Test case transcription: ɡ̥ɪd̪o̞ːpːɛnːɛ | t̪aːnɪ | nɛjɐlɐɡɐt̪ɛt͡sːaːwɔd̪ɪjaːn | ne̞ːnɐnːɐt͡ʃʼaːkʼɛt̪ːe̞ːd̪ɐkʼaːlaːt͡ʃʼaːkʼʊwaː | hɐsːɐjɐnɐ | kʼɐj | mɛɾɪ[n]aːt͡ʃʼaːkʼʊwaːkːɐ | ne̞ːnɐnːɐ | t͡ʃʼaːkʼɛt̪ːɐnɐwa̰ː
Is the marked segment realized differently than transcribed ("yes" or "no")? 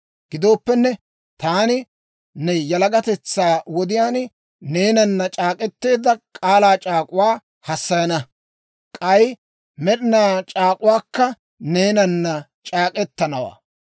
no